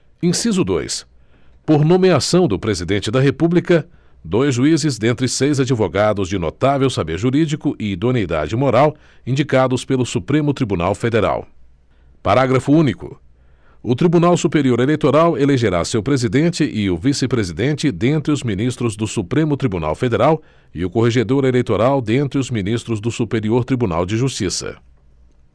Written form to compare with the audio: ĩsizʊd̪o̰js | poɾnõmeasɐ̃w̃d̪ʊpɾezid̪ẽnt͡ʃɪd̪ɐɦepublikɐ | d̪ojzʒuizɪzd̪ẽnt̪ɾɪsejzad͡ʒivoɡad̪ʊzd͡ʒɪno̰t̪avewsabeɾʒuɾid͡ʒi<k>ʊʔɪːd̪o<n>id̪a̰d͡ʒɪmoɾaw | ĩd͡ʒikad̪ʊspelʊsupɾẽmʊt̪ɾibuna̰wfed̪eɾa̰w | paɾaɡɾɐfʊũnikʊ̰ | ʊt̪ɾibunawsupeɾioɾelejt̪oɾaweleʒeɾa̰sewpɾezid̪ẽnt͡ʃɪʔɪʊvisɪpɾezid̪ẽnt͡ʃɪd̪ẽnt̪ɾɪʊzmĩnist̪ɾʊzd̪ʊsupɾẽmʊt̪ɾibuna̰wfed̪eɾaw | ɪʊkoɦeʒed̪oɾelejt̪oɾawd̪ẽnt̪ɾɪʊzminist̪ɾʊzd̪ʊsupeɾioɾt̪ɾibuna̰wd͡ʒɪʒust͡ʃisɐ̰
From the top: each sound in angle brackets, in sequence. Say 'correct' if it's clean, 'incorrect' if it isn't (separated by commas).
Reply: correct, correct